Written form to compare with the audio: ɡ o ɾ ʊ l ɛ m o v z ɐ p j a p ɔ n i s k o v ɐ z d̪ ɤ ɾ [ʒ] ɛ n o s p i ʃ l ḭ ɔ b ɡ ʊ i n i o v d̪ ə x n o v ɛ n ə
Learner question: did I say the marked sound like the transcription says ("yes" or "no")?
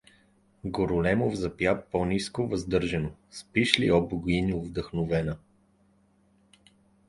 yes